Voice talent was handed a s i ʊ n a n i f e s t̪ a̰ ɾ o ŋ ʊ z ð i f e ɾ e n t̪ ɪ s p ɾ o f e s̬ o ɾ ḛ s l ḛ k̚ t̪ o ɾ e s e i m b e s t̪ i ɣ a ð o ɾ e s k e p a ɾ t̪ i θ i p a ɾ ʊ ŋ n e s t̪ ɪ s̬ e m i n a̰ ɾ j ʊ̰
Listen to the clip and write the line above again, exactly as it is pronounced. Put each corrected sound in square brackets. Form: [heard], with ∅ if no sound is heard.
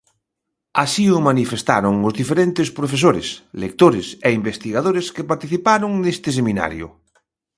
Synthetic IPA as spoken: a s i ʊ [m] a n i f e s t̪ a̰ ɾ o ŋ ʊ z ð i f e ɾ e n t̪ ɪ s p ɾ o f e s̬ o ɾ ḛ s l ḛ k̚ t̪ o ɾ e s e i m b e s t̪ i ɣ a ð o ɾ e s k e p a ɾ t̪ i θ i p a ɾ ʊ ŋ n e s t̪ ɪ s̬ e m i n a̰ ɾ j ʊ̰